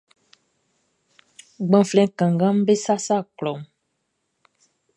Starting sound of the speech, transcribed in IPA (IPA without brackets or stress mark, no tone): ɡ͡b